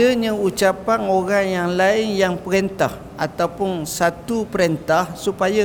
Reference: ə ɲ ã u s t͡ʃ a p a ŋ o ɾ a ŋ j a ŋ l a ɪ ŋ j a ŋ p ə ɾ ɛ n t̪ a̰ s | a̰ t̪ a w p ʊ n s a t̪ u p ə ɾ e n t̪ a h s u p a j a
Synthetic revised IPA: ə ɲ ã u t͡ʃ a p a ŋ o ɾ a ŋ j a ŋ l a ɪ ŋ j a ŋ p ə ɾ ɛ n t̪ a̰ h | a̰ t̪ a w p ʊ n s a t̪ u p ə ɾ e n t̪ a h s u p a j a